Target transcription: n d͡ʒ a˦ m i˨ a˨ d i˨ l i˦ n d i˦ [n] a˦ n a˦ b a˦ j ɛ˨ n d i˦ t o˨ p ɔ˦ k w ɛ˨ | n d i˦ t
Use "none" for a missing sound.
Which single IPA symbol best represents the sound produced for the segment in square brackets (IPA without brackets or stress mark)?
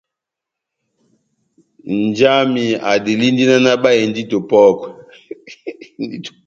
n